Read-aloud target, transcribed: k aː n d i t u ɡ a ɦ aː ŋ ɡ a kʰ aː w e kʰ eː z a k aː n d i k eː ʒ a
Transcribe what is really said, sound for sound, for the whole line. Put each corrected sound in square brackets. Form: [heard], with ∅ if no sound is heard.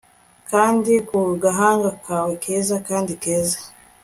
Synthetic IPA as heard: k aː n d i [k] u ɡ a ɦ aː ŋ ɡ a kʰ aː w e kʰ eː z a k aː n d i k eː [z] a